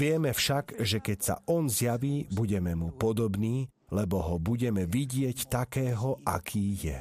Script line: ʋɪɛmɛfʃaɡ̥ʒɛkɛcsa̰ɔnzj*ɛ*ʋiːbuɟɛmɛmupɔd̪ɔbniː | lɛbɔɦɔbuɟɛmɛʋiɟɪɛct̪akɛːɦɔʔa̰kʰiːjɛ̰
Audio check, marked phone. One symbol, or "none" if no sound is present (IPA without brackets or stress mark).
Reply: a